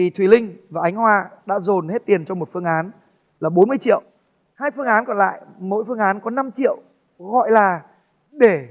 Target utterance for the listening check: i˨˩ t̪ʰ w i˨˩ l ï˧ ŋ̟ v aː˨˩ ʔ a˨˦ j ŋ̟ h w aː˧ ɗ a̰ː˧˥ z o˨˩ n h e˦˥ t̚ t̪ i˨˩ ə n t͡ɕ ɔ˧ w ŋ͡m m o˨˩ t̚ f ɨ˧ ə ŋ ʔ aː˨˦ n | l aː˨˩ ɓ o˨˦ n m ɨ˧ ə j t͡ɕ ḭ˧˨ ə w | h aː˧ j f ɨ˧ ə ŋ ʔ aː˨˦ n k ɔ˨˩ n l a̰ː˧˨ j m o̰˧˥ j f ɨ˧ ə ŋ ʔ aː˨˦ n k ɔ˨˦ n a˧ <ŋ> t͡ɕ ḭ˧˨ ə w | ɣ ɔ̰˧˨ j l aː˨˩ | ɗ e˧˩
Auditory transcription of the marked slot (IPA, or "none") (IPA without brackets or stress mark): m